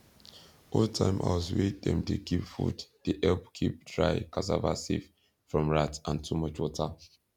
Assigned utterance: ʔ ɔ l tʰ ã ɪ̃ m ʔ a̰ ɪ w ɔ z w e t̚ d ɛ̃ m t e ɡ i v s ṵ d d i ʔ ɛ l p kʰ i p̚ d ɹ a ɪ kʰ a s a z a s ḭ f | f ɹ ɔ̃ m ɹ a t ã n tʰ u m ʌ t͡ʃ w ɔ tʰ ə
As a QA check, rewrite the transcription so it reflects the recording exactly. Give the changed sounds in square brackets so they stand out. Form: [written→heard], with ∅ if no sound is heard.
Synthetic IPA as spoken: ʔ ɔ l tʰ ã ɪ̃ m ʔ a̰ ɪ w ɔ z w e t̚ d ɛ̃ m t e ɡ i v [s→f] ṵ d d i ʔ ɛ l p kʰ i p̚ d ɹ a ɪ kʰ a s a [z→v] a s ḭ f | f ɹ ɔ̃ m ɹ a t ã n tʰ u m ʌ t͡ʃ w ɔ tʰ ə

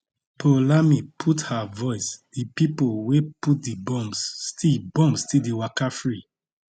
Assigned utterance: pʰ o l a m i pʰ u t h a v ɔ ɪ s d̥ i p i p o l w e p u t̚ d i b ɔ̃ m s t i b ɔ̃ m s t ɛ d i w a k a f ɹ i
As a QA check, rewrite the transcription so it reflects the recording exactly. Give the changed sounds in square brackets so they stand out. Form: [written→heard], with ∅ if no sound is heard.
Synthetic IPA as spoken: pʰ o l a m i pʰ u t h a v ɔ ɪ s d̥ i p i p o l w e p u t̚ d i b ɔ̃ m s t i b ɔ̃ m s t [ɛ→i] d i w a k a f ɹ i

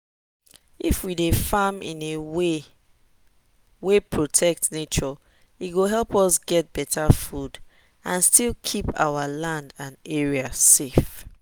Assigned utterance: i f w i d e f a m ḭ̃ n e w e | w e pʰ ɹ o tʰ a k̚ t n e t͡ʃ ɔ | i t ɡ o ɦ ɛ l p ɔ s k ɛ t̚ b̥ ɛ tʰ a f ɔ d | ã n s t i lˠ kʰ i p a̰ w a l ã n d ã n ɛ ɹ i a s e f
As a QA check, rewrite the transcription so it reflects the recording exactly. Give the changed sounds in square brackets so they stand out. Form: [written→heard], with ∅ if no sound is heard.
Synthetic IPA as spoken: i f w i d e f a m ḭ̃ n e w e | w e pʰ ɹ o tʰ [a→ɛ] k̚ t n e t͡ʃ ɔ | i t ɡ o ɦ ɛ l p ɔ s [k→ɡ] ɛ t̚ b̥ ɛ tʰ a f [ɔ→u] d | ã n s t i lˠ kʰ i p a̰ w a l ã n d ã n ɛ ɹ i a s e f

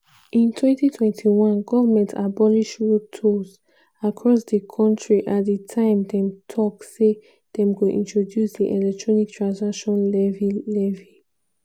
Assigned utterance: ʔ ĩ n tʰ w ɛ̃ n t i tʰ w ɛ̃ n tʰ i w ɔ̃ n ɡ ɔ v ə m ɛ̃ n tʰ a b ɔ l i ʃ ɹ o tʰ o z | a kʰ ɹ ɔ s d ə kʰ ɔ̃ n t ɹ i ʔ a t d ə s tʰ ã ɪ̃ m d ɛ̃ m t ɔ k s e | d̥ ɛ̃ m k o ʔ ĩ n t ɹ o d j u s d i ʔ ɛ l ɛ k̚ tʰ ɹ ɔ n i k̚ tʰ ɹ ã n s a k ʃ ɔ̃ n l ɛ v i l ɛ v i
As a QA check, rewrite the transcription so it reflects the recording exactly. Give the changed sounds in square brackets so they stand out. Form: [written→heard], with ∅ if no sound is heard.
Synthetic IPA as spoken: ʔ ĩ n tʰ w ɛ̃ n t i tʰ w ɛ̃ n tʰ i w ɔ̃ n ɡ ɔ v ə m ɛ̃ n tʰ a b ɔ l i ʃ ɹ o tʰ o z | a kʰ ɹ ɔ s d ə kʰ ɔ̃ n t ɹ i ʔ a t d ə [s→∅] tʰ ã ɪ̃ m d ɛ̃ m [t→tʰ] ɔ k s e | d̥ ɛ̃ m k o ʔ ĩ n t ɹ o d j u s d i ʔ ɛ l ɛ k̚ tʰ ɹ ɔ n i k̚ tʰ ɹ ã n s a k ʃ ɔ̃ n l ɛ v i l ɛ v i

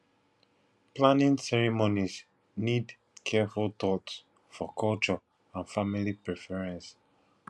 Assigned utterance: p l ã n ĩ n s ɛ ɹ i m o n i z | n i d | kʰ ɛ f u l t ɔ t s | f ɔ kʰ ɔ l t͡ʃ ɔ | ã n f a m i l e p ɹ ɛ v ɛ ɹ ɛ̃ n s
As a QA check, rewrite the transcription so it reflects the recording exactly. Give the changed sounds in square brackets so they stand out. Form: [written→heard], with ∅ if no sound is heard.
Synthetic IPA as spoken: p l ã n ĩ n s ɛ ɹ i m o n i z | n i d | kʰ ɛ f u l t ɔ t s | f ɔ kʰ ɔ l t͡ʃ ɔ | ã n f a m i l [e→i] p ɹ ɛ [v→f] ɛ ɹ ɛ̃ n s

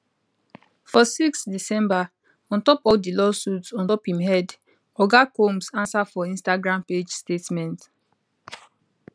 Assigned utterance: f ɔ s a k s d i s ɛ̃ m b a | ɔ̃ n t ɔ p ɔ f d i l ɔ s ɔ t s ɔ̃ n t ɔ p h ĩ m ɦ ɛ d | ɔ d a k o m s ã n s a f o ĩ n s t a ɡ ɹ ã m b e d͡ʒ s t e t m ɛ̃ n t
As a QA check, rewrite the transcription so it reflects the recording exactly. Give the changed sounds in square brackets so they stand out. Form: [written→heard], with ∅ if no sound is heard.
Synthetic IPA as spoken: f ɔ s [a→i] k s d i s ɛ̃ m b a | ɔ̃ n t ɔ p ɔ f d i l ɔ s [ɔ→u] t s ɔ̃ n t ɔ p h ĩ m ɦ ɛ d | ɔ [d→ɡ] a k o m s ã n s a f [o→ɔ] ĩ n s t a ɡ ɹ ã m [b→p] e d͡ʒ s t e t m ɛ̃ n t

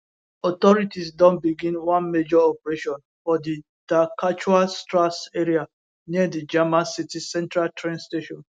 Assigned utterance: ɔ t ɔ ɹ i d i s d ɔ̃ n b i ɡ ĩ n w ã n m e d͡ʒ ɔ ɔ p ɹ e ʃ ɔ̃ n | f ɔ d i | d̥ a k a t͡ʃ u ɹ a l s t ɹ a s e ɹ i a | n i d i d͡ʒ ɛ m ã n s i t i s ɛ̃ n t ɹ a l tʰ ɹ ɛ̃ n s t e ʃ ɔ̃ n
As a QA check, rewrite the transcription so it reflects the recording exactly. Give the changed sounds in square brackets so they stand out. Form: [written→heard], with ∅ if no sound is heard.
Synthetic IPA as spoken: ɔ t ɔ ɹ i [d→t] i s d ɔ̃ n b i ɡ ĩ n w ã n m e d͡ʒ ɔ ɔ p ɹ e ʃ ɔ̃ n | f ɔ d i | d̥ a k a t͡ʃ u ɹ a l s t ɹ a s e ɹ i a | n i d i d͡ʒ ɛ m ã n s i t i s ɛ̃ n t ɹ a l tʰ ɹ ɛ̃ n s t e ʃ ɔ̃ n

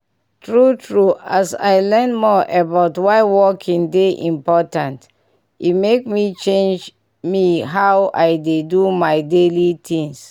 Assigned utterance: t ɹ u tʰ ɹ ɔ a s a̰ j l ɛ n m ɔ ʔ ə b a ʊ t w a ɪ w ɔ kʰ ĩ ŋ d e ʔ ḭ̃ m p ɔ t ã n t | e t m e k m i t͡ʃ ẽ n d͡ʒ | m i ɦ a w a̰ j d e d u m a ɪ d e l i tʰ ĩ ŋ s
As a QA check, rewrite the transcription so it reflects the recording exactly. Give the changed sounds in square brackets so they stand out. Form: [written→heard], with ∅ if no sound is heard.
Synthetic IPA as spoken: t ɹ u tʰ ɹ [ɔ→u] a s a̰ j l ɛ n m ɔ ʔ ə b a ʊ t w a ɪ w ɔ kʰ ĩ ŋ d e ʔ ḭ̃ m p ɔ t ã n t | [e→i] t m e k m i t͡ʃ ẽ n d͡ʒ | m i ɦ a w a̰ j d e d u m a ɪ d e l i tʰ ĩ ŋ s

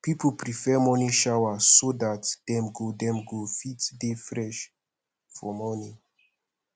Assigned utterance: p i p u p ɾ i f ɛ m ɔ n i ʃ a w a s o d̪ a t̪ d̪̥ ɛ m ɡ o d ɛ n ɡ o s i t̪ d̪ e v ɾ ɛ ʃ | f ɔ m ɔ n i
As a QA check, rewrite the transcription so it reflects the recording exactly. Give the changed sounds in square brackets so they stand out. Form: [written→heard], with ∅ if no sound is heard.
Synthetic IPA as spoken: p i p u p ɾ i f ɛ m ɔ n i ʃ a w a s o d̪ a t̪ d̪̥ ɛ m ɡ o d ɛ [n→m] ɡ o [s→f] i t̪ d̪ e [v→f] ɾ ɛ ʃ | f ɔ m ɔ n i

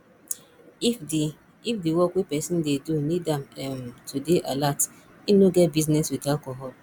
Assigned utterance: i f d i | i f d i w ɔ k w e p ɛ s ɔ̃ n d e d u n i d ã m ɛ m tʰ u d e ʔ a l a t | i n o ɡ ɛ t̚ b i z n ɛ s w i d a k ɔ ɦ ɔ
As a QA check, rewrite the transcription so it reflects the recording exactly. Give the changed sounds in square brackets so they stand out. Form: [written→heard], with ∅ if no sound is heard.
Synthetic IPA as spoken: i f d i | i f d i w ɔ k w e p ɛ s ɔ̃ n d e d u n i d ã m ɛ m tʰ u d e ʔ a l a t | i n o ɡ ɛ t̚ b i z n ɛ s w i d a k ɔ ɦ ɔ

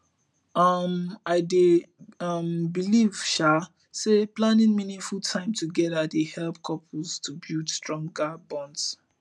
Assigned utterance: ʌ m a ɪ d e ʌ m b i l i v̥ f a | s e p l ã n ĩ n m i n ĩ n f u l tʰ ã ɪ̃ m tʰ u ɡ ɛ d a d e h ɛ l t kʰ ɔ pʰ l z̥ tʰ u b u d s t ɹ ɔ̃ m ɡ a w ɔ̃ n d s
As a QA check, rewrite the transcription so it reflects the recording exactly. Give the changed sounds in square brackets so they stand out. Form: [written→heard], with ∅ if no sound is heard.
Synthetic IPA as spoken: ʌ m a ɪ d e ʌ m b i l i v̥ [f→ʃ] a | s e p l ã n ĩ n m i n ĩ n f u l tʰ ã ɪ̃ m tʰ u ɡ ɛ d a d e h ɛ l [t→p] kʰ ɔ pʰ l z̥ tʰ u b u d s t ɹ ɔ̃ [m→ŋ] ɡ a [w→b] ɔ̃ n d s

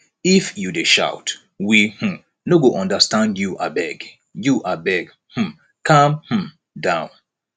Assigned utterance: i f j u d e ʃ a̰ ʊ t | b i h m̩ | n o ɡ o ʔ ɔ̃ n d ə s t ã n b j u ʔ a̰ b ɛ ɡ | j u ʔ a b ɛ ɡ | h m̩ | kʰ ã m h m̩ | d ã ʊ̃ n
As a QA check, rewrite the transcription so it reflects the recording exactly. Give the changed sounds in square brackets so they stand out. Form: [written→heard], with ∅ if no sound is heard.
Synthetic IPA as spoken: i f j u d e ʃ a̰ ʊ t | [b→w] i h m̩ | n o ɡ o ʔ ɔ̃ n d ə s t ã n [b→d] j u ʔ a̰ b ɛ ɡ | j u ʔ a b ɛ ɡ | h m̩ | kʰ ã m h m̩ | d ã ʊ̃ n

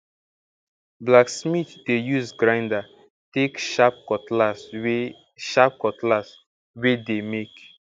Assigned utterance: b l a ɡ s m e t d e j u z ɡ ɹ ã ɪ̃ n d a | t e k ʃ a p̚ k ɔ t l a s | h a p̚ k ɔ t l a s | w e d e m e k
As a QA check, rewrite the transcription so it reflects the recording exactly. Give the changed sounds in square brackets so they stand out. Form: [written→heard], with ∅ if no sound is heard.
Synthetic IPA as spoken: b l a [ɡ→k] s m [e→i] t d e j u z ɡ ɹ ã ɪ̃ n d a | t e k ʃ a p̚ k ɔ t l a s | [h→ʃ] a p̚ k ɔ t l a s | w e d e m e k

